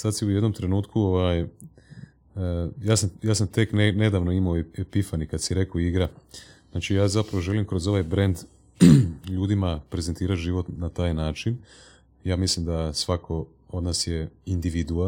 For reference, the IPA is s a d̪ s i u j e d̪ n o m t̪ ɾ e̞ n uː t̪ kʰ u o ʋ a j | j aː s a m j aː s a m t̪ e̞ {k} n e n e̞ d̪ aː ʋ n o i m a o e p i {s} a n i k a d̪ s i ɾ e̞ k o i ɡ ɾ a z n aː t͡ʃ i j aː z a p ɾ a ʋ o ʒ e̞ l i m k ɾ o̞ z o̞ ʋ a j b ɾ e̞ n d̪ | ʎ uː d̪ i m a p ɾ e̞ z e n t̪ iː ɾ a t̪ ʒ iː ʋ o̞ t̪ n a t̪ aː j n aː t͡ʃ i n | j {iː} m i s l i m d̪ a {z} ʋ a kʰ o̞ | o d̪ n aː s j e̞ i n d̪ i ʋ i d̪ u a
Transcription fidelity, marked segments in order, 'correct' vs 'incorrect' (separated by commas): correct, incorrect, incorrect, incorrect